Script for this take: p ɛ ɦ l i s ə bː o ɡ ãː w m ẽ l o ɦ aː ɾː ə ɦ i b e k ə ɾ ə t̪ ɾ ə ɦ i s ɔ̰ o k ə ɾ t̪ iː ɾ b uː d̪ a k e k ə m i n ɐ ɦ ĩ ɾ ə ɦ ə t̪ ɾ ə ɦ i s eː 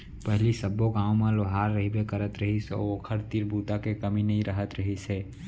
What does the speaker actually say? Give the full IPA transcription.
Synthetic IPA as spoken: p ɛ ɦ l i s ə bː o ɡ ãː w m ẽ l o ɦ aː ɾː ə ɦ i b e k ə ɾ ə t̪ ɾ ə ɦ i s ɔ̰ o kʰ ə ɾ t̪ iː ɾ b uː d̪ a k e k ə m i n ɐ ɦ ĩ ɾ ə ɦ ə t̪ ɾ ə ɦ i s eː